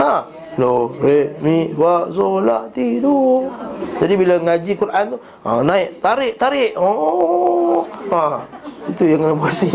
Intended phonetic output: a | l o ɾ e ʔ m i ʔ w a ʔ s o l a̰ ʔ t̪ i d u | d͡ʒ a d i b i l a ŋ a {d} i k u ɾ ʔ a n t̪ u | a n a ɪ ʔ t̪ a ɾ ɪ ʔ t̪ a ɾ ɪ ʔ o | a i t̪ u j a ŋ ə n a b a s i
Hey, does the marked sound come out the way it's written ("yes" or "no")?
no